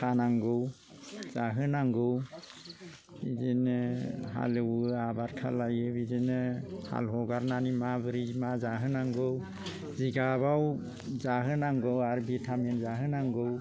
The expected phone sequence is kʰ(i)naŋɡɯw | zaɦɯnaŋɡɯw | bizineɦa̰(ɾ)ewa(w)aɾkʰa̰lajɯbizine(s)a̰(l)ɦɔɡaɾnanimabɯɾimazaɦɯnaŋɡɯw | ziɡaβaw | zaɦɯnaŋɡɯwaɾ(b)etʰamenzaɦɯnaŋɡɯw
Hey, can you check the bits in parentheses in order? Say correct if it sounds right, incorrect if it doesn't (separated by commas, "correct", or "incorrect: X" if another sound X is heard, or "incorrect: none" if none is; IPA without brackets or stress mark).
incorrect: a, incorrect: l, incorrect: b, incorrect: h, correct, correct